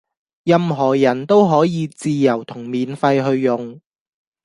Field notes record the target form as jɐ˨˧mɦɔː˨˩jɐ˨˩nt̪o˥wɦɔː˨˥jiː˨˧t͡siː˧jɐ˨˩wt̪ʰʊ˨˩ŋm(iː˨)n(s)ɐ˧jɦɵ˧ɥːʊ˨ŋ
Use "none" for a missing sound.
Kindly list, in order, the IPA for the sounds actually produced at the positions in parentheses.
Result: iː˨, f

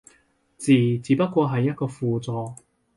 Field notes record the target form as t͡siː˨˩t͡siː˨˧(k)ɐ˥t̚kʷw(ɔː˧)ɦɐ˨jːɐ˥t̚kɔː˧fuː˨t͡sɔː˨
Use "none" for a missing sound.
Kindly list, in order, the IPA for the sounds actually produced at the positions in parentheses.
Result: p, ɔː˧

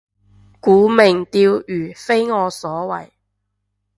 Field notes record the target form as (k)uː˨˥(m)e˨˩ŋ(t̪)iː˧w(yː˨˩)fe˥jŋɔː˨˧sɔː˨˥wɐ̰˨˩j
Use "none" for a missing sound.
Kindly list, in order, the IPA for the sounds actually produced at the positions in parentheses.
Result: k, m, t̪, yː˨˩

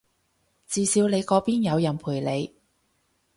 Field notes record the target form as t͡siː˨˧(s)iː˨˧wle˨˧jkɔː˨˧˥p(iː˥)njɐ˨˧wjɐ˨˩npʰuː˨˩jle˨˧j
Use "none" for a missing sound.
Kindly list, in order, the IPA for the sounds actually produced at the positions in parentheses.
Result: s, iː˥

